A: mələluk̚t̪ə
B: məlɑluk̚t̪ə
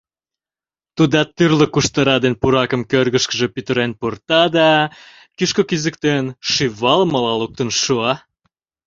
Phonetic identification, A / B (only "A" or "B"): B